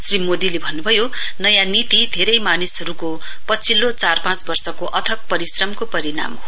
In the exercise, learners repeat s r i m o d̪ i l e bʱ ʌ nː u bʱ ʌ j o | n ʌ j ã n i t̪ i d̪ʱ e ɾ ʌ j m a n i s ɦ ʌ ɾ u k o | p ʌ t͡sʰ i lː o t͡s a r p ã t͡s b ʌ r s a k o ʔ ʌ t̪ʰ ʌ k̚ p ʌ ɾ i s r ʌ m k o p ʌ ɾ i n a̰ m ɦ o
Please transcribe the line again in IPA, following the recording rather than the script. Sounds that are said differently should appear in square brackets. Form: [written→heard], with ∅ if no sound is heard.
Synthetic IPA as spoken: s r i m o d̪ i l e bʱ ʌ nː u bʱ ʌ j o | n ʌ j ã n i t̪ i d̪ʱ e ɾ ʌ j m a n i s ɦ ʌ ɾ u k o | p ʌ t͡sʰ i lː o t͡s a r p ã t͡s b ʌ r s [a→ʌ] k o ʔ ʌ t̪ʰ ʌ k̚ p ʌ ɾ i s r ʌ m k o p ʌ ɾ i n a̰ m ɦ o